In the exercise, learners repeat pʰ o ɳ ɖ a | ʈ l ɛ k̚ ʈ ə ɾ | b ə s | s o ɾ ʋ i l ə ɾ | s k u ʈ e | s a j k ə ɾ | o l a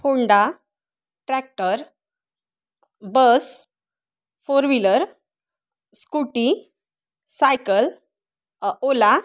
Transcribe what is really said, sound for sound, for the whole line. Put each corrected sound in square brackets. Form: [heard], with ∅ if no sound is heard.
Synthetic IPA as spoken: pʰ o ɳ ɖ a | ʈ [ɾ] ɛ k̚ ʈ ə ɾ | b ə s | [f] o ɾ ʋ i l ə ɾ | s k u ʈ [i] | s a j k ə [l] | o l a